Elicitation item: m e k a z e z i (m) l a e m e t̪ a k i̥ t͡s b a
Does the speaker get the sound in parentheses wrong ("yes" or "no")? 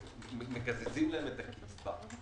no